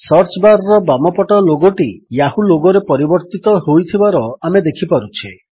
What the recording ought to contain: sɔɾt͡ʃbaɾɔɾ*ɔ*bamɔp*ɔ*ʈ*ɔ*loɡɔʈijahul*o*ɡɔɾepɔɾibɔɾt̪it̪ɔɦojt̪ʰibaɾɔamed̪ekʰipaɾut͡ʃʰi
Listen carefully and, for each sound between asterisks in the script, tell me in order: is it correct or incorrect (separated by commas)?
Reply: correct, correct, correct, correct